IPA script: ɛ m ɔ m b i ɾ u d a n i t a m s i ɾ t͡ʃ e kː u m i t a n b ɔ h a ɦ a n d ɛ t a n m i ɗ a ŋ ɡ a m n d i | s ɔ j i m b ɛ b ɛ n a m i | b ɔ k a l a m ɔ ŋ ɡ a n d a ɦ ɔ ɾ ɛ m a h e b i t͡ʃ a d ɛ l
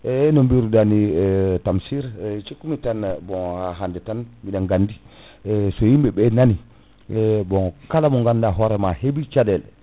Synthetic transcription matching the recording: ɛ n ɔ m b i ɾ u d a n i t a m s i ɾ t͡ʃ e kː u m i t a n b ɔ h a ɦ a n d ɛ t a n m i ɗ a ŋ ɡ a n d i | s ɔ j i m b ɛ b ɛ n a n i | b ɔ k a l a m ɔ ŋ ɡ a n d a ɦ ɔ ɾ ɛ m a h e b i t͡ʃ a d ɛ l

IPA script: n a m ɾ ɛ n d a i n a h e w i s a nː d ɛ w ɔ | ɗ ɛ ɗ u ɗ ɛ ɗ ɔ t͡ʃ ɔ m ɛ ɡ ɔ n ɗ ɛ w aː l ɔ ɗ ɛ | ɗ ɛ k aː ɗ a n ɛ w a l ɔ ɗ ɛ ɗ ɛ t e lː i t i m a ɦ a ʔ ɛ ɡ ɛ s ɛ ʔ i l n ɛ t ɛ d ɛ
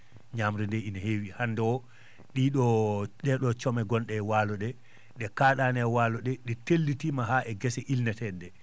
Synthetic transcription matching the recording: ɲ a m ɾ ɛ n d ɛ i n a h e w i h a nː d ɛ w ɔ | ɗ i ɗ ɔ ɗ ɛ ɗ ɔ t͡ʃ ɔ m ɛ ɡ ɔ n ɗ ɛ w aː l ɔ ɗ ɛ | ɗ ɛ k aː ɗ a n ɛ w a l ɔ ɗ ɛ ɗ ɛ t e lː i t i m a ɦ a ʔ ɛ ɡ ɛ s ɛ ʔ i l n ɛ t ɛ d ɛ

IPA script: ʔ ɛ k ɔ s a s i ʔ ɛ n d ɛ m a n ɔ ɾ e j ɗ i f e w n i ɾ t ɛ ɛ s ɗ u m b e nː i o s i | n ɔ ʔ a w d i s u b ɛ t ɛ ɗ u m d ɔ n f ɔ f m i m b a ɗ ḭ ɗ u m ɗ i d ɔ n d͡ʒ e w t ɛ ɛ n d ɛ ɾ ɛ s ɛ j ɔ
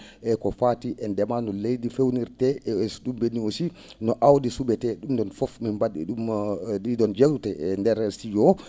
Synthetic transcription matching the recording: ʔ ɛ k ɔ f a t i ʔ ɛ n d ɛ m a n ɔ l e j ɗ i f e w n i ɾ t ɛ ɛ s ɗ u m b e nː i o s i | n ɔ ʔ a w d i s u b ɛ t ɛ ɗ u m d ɔ n f ɔ f m i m b a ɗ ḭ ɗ u m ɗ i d ɔ n d͡ʒ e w t ɛ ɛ n d ɛ ɾ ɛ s i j ɔ

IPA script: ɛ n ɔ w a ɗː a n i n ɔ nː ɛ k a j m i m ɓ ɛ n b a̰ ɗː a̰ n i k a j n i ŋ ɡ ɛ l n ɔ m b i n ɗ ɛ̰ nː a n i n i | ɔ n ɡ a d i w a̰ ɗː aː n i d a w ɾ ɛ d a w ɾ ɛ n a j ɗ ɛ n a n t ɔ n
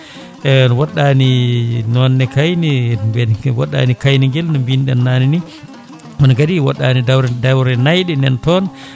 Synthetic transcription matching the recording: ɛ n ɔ w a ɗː a n i n ɔ nː ɛ k a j n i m b ɛ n w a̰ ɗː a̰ n i k a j n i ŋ ɡ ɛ l n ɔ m b i n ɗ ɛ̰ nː a n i n i | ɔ n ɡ a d i w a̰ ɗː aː n i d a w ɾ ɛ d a w ɾ ɛ n a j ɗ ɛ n ɛ n t ɔ n

